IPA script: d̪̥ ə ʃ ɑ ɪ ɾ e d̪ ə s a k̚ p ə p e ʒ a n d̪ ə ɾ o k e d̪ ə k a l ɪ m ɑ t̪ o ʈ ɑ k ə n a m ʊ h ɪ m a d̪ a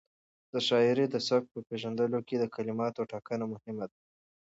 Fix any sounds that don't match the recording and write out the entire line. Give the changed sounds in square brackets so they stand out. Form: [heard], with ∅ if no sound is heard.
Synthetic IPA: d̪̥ ə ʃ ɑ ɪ ɾ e d̪ ə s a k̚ p ə p e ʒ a n d̪ ə [l] o k e d̪ ə k a l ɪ m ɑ t̪ o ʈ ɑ k ə n a m ʊ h ɪ m a d̪ a